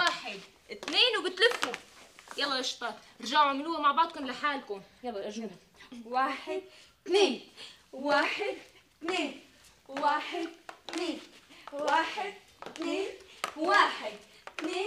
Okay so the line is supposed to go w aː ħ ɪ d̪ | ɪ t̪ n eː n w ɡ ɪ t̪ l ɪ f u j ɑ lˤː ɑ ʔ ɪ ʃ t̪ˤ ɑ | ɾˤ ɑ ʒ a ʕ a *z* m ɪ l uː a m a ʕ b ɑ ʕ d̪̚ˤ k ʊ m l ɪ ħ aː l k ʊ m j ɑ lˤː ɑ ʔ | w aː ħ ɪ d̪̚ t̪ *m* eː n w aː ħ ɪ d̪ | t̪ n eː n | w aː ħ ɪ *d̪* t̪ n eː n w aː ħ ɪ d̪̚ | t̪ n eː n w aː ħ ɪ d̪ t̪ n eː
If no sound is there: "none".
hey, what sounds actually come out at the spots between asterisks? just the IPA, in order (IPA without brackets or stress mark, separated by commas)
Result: ʕ, n, d̪